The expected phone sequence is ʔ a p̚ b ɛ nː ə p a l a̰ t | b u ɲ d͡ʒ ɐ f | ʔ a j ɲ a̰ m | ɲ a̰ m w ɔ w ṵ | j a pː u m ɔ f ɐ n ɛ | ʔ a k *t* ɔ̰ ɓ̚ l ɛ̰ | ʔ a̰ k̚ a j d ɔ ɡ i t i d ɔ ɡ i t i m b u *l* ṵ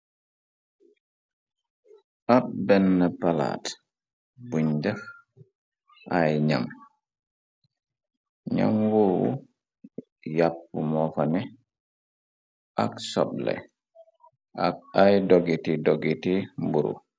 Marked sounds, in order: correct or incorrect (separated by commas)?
incorrect, incorrect